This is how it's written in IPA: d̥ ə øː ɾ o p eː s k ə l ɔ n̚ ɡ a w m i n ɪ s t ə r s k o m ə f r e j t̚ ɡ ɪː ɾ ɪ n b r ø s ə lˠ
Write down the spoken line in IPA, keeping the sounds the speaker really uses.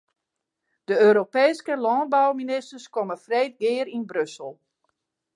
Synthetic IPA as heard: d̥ ə øː ɾ o p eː s k ə l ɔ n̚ b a w m i n ɪ s t ə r s k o m ə f r e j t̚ ɡ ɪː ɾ i n b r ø s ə lˠ